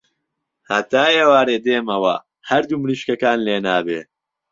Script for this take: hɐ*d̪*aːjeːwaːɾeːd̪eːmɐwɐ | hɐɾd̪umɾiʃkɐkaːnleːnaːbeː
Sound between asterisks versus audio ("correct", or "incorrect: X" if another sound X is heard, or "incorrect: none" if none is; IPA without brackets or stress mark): incorrect: t̪